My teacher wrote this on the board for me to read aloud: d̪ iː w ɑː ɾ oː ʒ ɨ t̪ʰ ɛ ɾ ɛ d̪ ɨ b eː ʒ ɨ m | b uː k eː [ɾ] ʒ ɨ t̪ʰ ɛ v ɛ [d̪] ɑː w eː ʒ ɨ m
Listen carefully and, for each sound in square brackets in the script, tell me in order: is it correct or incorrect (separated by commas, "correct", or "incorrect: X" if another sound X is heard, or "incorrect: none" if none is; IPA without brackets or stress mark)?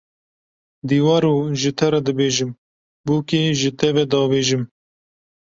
incorrect: none, correct